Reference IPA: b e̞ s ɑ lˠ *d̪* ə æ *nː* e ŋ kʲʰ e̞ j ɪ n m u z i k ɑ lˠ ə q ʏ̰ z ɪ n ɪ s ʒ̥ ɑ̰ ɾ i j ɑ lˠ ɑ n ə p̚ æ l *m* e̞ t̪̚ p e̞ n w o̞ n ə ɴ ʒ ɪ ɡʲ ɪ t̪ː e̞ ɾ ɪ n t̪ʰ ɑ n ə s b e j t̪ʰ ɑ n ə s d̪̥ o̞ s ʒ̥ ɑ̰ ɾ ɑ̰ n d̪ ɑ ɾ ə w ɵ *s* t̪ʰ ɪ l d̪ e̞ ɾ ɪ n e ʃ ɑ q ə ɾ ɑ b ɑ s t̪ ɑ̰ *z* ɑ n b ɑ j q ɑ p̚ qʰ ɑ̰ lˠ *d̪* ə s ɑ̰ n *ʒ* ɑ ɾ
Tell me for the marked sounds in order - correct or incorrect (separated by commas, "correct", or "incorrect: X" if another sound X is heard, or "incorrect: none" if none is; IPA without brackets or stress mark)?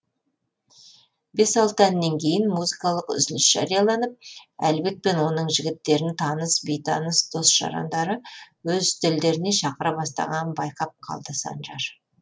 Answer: incorrect: t̪, correct, incorrect: b, incorrect: z, incorrect: ʁ, correct, correct